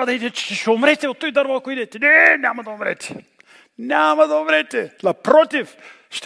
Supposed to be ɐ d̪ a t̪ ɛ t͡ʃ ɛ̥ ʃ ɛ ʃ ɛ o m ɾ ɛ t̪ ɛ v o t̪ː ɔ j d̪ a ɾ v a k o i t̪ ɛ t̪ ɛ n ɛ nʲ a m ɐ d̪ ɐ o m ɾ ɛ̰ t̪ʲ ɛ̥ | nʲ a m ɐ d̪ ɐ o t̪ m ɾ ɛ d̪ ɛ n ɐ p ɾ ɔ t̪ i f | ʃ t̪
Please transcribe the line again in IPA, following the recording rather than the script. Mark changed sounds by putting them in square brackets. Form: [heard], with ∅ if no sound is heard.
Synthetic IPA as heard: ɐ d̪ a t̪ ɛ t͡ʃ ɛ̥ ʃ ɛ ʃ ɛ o m ɾ ɛ t̪ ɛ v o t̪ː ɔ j d̪ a ɾ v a k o i [d̪] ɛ t̪ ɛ n ɛ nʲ a m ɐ d̪ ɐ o m ɾ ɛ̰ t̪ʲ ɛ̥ | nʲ a m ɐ d̪ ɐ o [∅] m ɾ ɛ [t̪] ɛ n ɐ p ɾ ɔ t̪ i f | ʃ t̪